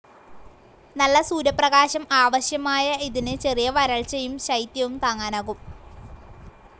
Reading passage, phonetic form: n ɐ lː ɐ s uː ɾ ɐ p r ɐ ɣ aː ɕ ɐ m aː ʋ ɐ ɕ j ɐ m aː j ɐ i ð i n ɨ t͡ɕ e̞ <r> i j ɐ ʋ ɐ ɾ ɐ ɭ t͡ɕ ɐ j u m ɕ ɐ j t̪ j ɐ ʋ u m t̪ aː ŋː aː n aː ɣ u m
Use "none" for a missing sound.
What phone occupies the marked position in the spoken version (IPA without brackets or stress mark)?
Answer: r